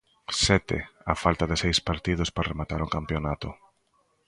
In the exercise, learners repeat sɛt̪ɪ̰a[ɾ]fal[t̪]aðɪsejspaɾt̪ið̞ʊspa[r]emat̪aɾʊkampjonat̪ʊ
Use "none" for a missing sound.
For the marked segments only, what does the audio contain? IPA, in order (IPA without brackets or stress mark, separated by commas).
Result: none, t̪, r